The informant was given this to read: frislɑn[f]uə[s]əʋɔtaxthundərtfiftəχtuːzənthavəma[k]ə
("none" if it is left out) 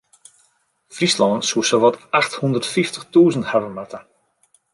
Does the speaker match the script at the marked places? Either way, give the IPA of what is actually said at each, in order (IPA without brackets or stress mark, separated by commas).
s, s, t